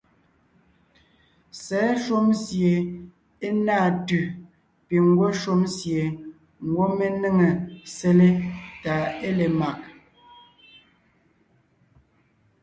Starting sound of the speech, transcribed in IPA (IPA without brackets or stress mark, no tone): s